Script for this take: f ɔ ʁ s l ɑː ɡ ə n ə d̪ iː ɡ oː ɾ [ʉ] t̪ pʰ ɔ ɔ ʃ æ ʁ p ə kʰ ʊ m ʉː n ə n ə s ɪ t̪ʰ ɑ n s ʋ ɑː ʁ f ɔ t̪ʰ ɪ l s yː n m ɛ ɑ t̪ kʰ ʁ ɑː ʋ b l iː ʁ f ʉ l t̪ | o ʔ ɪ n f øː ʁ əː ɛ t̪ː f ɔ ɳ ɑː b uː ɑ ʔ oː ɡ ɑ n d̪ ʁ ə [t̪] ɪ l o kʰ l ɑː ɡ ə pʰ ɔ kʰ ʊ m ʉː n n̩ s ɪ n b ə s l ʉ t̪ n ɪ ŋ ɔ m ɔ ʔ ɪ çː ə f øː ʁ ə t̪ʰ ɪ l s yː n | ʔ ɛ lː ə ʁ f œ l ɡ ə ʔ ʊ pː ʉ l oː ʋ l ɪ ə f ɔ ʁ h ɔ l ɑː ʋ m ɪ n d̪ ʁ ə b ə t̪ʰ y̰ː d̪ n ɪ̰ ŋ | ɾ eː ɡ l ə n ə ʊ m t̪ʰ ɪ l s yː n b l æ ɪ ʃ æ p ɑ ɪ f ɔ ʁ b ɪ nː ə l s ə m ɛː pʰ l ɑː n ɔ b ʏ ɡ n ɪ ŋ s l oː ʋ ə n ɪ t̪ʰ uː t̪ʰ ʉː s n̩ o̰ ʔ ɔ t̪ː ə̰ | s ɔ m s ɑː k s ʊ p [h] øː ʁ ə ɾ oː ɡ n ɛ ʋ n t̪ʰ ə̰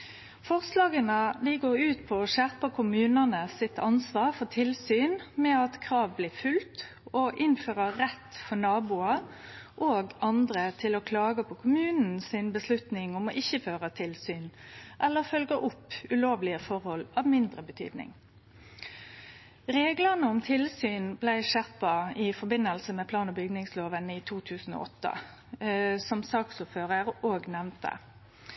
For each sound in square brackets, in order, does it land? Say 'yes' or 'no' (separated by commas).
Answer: no, no, no